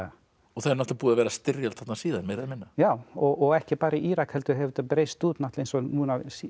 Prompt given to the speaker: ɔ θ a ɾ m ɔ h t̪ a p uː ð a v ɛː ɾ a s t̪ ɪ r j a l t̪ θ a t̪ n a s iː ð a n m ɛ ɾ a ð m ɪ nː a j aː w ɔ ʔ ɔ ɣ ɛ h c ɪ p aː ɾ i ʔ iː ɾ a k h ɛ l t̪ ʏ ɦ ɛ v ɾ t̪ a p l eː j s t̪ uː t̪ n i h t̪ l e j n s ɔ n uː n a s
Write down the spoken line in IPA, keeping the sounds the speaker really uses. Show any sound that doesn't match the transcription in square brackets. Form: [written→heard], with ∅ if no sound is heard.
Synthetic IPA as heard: ɔ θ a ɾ [m→n] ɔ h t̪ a p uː ð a v ɛː ɾ a s t̪ ɪ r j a l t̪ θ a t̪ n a s iː ð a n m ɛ ɾ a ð m ɪ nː a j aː w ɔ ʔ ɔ ɣ ɛ h c ɪ p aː ɾ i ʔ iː ɾ a k h ɛ l t̪ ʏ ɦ ɛ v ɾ t̪ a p [l→ɾ] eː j s t̪ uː t̪ n [i→a] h t̪ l e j n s ɔ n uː n a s